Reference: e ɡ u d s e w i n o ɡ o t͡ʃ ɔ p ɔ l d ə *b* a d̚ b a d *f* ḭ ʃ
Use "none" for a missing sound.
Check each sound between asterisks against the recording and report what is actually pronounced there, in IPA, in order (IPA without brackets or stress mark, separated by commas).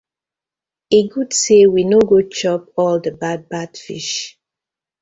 b, f